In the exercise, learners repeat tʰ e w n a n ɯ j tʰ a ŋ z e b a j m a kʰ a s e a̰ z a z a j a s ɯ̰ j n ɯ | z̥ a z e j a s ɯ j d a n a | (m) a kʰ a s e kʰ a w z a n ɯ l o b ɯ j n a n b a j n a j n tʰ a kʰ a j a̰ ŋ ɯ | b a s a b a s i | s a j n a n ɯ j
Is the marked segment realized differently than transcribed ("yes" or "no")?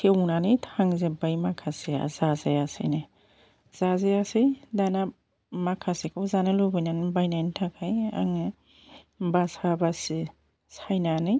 no